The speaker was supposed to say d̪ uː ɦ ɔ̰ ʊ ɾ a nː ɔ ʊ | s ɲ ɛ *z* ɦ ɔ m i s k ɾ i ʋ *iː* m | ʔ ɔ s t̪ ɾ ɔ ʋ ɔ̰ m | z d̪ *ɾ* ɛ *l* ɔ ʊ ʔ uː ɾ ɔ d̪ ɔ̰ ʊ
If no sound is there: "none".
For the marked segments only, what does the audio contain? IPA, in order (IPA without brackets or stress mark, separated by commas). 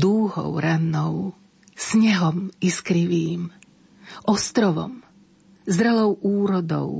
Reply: none, iː, ɾ, l